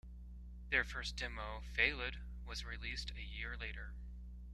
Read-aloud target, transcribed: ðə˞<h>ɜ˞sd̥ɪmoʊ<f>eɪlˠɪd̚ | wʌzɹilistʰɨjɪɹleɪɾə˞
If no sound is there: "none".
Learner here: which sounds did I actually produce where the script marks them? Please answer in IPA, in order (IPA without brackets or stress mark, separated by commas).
f, f